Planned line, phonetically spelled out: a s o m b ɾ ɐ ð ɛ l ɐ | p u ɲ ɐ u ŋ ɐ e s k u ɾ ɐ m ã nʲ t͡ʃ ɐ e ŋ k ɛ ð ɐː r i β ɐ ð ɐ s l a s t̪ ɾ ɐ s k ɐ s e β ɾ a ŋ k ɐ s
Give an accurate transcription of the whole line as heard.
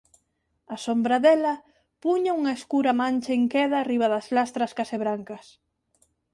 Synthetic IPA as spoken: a s o m b ɾ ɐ ð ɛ l ɐ | p u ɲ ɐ u ŋ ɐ e s k u ɾ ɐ m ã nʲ t͡ʃ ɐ e ŋ k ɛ ð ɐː r i β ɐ ð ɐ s l a s t̪ ɾ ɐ s k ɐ s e β ɾ a ŋ k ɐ s